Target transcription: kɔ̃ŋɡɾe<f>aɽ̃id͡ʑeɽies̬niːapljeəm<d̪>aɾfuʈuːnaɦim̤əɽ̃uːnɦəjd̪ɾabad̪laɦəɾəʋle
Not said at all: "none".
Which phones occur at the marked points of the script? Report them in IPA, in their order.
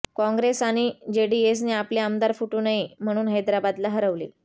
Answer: s, d̪

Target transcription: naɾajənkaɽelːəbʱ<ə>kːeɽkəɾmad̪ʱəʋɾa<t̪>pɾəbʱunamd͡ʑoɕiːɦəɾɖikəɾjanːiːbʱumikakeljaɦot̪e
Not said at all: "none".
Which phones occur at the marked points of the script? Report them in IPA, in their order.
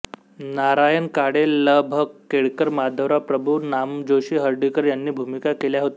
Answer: ə, none

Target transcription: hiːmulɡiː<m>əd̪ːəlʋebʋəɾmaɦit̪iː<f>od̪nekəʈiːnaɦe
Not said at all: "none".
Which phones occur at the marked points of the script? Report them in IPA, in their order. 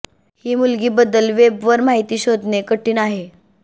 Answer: b, ɕ

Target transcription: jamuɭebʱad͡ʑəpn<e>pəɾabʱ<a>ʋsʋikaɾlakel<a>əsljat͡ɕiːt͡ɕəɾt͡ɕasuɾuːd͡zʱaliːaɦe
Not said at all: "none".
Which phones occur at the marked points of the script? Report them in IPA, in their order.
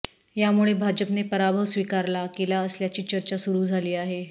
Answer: e, ə, a

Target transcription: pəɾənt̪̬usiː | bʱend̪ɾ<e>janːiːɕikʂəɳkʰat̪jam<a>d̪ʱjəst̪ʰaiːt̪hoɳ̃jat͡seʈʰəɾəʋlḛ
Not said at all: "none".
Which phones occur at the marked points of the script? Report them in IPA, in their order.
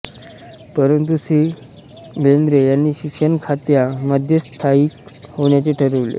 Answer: e, ə

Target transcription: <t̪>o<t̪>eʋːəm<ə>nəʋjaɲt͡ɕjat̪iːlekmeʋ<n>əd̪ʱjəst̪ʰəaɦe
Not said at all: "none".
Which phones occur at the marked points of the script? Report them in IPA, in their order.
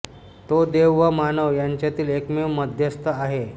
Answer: t̪, d̪, a, m

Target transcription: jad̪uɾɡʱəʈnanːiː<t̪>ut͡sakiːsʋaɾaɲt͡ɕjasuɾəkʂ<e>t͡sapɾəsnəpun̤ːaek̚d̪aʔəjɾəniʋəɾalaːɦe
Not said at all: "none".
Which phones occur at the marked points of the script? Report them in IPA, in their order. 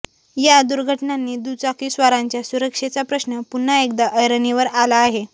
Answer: d̪, e

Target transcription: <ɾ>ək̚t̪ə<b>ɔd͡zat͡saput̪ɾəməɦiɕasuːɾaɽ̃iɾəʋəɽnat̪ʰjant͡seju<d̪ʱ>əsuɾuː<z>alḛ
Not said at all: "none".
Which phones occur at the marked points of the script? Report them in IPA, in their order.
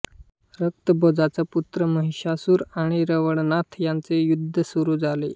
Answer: ɾ, b, d̪ʱː, d͡z

